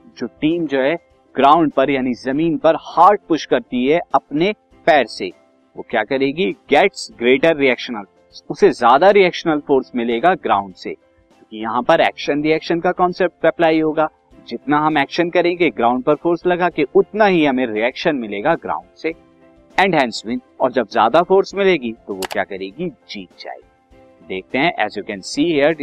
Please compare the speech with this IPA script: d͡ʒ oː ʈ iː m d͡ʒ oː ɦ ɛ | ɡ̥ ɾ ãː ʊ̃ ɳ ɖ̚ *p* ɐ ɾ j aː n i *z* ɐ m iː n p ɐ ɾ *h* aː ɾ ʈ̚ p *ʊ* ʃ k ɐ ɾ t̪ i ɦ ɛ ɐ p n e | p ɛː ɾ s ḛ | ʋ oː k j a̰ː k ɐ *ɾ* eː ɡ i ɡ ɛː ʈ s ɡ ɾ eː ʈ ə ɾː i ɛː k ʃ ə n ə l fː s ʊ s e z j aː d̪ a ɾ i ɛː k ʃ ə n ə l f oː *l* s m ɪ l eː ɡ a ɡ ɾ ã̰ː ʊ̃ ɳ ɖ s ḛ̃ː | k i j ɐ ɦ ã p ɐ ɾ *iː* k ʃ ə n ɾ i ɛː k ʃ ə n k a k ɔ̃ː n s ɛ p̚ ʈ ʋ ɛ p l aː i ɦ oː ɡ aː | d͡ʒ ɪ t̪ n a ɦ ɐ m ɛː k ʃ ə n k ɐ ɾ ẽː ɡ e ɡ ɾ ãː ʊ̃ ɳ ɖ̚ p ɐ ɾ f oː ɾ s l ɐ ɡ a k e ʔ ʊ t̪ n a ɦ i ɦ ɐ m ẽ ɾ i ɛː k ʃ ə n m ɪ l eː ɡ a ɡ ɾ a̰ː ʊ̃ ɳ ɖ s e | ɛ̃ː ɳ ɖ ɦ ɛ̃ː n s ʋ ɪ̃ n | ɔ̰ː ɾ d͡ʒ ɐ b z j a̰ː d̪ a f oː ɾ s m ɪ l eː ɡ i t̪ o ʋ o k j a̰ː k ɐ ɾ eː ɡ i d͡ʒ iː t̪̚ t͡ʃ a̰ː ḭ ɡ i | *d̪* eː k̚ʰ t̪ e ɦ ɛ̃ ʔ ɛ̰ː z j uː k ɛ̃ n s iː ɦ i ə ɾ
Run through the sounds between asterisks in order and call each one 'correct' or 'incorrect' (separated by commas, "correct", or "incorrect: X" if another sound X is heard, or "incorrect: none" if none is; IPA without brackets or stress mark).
correct, correct, correct, correct, correct, incorrect: ɾ, incorrect: ɛː, correct